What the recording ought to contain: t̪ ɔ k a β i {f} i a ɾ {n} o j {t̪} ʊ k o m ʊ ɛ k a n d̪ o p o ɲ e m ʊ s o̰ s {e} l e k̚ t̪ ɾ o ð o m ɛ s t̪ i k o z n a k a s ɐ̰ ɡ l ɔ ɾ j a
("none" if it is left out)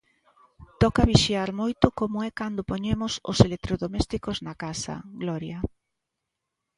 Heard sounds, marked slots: ʃ, m, t̪, e

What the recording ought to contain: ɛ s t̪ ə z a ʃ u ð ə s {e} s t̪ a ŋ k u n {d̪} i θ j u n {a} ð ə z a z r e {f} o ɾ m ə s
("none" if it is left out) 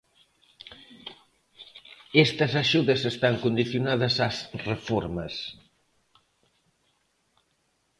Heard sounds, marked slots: e, d̪, a, f

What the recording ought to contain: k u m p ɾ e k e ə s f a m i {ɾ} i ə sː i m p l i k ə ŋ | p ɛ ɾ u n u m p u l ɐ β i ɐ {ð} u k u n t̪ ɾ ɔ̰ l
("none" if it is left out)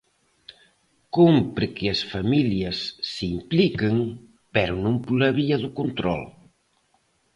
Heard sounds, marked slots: l, ð

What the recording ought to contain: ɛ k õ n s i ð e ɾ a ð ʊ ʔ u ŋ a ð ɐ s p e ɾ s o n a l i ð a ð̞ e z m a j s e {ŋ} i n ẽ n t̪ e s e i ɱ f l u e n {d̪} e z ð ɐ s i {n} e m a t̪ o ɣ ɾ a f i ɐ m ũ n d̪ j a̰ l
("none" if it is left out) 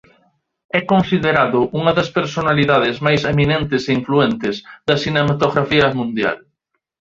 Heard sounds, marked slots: m, t̪, n

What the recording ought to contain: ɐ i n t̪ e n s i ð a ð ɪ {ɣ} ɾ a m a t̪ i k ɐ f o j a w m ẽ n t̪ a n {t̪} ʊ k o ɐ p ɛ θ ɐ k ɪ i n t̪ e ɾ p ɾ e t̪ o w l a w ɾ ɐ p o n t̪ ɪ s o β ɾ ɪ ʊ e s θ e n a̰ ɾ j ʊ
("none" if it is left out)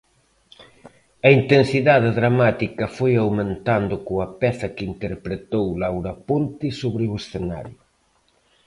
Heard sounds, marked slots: ð, d̪

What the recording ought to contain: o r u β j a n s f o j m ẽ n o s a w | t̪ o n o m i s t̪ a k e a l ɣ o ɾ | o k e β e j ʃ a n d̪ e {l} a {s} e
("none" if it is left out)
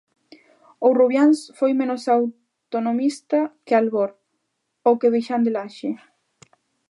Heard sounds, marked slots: l, ʃ

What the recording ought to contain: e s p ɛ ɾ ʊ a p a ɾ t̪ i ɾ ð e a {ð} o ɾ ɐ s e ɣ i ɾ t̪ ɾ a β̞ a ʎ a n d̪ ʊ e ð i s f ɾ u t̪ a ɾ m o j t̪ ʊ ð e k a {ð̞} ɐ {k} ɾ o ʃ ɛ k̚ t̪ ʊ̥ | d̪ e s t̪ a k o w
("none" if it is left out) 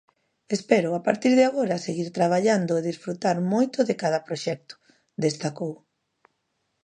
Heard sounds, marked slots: ɣ, ð̞, p

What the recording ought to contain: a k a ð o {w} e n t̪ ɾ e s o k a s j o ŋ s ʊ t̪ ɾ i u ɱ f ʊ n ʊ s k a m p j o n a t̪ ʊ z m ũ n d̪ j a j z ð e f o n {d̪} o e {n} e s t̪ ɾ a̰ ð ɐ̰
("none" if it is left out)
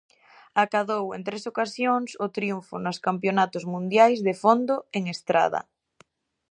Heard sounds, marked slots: w, d̪, ŋ

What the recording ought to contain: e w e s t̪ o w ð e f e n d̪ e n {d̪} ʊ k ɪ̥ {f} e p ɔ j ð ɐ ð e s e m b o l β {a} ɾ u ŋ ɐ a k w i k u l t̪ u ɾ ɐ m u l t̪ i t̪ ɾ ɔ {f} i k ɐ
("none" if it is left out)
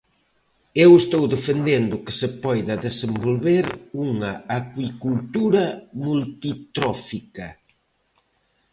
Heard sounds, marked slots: d̪, s, e, f

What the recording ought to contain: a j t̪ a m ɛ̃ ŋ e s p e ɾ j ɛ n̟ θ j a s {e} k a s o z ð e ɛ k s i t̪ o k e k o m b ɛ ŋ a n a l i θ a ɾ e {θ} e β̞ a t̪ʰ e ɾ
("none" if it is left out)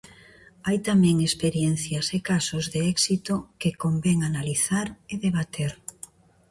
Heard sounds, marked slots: e, ð

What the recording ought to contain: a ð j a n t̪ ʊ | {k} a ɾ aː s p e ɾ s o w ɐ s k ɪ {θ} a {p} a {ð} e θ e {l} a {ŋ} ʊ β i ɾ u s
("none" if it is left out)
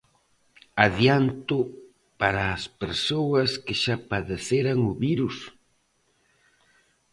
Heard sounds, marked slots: p, ʃ, p, ð, ɾ, ŋ

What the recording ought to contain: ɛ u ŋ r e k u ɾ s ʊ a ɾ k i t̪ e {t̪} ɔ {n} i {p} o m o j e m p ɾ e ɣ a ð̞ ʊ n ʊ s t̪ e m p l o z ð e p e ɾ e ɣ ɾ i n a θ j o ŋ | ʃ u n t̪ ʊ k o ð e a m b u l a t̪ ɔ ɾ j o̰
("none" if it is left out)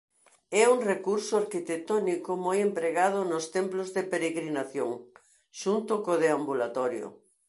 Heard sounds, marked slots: t̪, n, k

